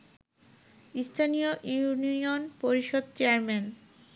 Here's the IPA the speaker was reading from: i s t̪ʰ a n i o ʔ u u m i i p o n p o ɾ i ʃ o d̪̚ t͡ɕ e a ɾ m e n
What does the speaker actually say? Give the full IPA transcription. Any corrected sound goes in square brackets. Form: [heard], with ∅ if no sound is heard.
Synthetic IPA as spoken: i s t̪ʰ a n i o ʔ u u [n] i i [∅] o n p o ɾ i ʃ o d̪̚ t͡ɕ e a ɾ m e n